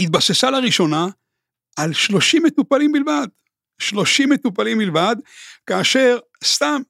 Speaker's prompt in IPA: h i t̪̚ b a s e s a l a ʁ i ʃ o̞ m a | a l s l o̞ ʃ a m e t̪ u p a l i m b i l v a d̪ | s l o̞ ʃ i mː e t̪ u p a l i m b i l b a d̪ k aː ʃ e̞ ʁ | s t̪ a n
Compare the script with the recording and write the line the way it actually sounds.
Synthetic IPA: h i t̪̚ b a s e s a l a ʁ i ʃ o̞ n a | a l ʃ l o̞ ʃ i m e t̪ u p a l i m b i l v a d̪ | ʃ l o̞ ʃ i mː e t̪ u p a l i m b i l v a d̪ k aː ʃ e̞ ʁ | s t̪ a m